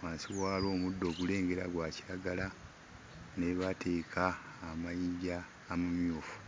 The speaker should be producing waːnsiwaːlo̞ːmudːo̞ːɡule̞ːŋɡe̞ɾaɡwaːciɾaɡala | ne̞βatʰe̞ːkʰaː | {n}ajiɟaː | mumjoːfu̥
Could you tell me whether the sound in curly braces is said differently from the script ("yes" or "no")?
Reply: yes